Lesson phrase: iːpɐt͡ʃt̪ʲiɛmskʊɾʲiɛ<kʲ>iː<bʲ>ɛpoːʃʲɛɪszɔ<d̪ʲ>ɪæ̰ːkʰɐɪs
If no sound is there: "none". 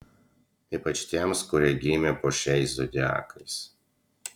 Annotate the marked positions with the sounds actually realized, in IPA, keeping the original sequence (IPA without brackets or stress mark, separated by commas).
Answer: ɡʲ, mʲ, d̪ʲ